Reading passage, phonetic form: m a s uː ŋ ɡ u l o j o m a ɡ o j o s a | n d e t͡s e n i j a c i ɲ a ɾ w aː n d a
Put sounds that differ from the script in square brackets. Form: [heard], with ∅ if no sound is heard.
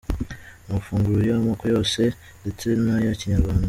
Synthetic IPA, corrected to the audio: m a [f] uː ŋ ɡ u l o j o m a [k] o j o s [e] | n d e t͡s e n [a] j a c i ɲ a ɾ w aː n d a